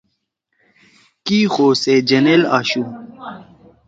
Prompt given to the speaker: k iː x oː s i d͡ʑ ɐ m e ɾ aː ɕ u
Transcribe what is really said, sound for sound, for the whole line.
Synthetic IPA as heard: k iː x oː s e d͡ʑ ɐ n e l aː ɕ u